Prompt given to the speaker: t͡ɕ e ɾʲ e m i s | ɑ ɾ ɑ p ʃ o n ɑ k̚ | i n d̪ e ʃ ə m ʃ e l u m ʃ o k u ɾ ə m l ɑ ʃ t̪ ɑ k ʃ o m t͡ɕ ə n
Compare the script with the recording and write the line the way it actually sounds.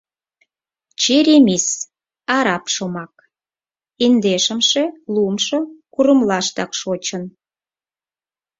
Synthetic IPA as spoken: t͡ɕ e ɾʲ e m i s | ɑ ɾ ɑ p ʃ o m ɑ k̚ | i n d̪ e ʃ ə m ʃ e l u m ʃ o k u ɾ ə m l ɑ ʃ t̪ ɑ k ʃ o t͡ɕ ə n

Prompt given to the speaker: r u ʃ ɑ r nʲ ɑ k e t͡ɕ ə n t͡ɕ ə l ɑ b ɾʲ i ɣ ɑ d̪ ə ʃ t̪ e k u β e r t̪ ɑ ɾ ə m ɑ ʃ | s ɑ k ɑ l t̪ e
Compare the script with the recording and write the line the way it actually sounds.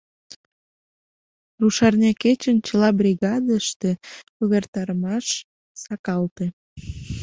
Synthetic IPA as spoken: r u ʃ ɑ r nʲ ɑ k e t͡ɕ ə n t͡ɕ ə l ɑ b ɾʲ i ɣ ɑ d̪ ə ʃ t̪ e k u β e r t̪ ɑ ɾ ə m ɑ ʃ | s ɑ k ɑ l t̪ e

